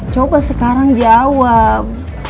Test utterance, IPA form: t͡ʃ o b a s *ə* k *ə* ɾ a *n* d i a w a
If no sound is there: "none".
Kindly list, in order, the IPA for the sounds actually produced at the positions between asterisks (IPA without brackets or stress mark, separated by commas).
ə, a, ŋ